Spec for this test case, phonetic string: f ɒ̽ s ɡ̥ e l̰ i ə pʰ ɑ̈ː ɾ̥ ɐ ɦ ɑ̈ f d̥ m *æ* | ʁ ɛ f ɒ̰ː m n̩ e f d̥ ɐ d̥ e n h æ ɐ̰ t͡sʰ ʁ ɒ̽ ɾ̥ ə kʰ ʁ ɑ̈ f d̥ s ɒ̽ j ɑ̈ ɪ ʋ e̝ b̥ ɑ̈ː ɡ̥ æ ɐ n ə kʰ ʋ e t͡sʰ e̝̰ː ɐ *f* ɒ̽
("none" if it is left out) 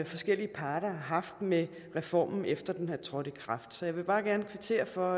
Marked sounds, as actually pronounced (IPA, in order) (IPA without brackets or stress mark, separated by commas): e, f